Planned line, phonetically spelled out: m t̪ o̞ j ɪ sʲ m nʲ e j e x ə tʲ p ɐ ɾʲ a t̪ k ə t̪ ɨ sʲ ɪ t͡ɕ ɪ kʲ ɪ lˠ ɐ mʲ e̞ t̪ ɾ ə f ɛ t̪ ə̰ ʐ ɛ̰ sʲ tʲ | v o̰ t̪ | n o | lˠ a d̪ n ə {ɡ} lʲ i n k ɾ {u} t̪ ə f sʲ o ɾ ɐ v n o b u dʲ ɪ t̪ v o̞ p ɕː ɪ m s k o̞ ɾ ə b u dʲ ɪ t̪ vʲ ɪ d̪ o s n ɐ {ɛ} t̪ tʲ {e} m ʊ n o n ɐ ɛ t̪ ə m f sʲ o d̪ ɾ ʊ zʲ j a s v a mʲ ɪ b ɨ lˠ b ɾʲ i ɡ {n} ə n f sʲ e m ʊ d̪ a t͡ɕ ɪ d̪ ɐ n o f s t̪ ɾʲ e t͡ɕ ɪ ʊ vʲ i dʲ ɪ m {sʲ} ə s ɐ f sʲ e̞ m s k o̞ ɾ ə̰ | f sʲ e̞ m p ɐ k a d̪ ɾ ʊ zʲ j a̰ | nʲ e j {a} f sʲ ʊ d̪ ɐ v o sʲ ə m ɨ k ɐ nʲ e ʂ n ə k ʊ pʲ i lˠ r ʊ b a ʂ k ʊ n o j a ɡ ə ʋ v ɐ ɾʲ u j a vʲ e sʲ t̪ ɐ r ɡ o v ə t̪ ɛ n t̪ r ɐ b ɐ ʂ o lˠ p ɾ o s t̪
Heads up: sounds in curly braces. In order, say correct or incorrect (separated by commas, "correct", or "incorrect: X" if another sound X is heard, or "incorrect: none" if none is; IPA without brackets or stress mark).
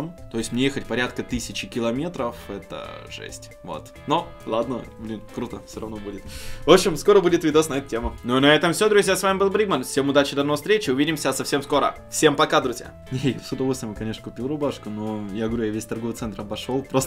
incorrect: b, correct, correct, correct, incorrect: m, correct, correct